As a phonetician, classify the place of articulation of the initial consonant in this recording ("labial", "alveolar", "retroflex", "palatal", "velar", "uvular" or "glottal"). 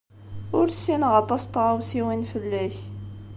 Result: alveolar